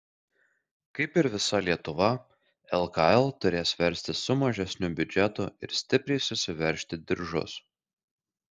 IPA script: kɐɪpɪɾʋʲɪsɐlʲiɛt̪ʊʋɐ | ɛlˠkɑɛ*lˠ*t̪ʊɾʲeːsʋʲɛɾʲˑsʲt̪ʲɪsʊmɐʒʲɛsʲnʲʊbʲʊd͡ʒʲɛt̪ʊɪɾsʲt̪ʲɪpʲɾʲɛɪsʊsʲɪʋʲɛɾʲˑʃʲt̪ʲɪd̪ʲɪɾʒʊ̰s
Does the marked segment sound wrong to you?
no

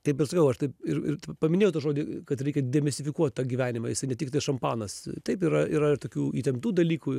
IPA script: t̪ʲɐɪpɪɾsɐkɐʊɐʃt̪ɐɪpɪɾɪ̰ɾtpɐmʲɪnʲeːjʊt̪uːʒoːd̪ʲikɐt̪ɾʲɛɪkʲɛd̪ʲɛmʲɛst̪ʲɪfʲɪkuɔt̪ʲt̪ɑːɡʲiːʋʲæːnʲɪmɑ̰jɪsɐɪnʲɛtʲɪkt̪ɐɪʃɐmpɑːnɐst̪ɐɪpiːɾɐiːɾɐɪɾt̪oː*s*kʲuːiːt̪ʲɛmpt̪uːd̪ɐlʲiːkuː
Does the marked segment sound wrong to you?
yes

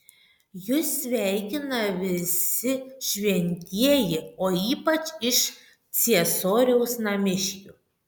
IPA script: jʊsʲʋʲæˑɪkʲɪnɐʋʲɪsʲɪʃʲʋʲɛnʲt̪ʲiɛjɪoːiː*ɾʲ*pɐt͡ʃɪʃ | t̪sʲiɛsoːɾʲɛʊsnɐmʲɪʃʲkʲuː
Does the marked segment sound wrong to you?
yes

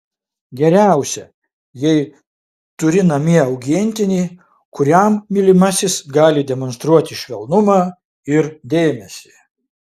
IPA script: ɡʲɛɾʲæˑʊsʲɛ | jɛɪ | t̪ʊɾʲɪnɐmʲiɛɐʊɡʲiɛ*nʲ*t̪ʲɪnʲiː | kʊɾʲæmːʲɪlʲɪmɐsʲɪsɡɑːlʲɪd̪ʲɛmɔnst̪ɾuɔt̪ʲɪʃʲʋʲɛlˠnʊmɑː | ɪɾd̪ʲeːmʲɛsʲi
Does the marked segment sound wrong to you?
no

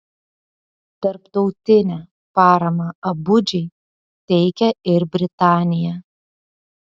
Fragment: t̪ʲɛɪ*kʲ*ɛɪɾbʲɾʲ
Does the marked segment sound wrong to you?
no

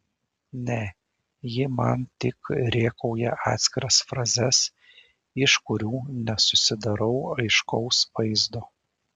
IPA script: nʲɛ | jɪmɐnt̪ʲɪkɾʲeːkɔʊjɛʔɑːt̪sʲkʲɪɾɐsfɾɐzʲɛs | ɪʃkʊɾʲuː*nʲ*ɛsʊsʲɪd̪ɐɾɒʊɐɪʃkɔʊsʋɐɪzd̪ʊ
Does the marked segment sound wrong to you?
no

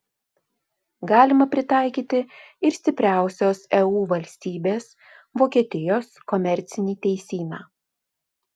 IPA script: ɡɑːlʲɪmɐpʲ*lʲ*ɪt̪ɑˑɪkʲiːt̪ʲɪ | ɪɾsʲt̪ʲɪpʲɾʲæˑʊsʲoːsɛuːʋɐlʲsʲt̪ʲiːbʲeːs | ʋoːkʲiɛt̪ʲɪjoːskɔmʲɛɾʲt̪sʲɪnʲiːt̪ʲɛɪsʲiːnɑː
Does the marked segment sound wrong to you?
yes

